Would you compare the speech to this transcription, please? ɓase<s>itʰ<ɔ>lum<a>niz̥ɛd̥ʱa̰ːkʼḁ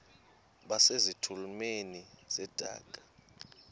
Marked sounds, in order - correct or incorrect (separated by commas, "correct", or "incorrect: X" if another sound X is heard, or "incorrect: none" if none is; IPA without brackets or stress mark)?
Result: incorrect: z, incorrect: u, incorrect: e